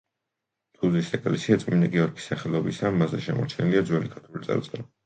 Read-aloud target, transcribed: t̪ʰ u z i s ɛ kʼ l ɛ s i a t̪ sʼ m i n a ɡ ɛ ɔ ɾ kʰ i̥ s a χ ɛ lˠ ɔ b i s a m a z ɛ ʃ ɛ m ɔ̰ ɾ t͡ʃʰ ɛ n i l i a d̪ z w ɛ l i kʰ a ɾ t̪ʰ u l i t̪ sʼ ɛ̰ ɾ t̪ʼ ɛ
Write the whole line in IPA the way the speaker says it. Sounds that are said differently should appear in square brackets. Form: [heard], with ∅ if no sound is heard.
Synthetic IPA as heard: t̪ʰ u z i s ɛ kʼ l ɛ s i a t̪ sʼ m i n a ɡ ɛ ɔ ɾ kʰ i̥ s a χ ɛ lˠ ɔ b i s a m a z ɛ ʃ ɛ m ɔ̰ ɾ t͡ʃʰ ɛ n i l i a d̪ z w ɛ l i kʰ a ɾ t̪ʰ u l i t̪ sʼ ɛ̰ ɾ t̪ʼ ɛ